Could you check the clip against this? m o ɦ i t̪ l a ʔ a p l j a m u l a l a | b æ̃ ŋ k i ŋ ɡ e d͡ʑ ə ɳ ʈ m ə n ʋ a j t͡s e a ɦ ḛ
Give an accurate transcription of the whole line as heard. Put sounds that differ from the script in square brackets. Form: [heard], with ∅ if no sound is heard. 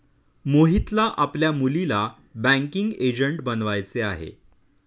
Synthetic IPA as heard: m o ɦ i t̪ l a ʔ a p l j a m u l [i] l a | b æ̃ ŋ k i ŋ ɡ e d͡ʑ ə ɳ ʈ [b] ə n ʋ a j t͡s e a ɦ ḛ